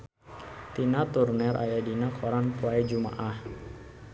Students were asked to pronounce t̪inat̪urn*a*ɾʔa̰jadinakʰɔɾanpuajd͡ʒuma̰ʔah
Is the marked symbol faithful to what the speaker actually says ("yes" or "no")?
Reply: no